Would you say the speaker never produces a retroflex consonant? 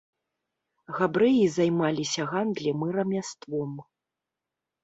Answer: yes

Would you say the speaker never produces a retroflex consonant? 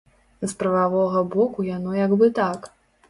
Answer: yes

